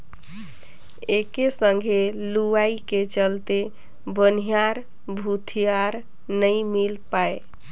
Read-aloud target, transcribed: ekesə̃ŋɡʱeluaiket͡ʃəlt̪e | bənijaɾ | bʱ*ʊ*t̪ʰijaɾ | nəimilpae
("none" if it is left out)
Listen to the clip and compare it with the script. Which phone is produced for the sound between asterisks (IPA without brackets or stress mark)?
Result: u